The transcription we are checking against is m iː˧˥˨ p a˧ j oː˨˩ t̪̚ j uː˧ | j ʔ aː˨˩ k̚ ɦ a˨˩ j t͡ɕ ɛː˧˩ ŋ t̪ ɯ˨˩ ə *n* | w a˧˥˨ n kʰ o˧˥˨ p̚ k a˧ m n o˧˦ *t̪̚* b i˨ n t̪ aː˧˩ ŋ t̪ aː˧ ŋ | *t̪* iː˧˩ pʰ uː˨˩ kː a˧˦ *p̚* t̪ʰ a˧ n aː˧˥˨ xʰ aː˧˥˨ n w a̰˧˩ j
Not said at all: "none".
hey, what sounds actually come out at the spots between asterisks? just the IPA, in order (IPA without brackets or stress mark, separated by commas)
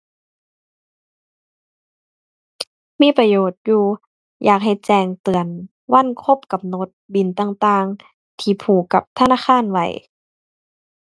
n, t̪̚, t̪ʰ, p̚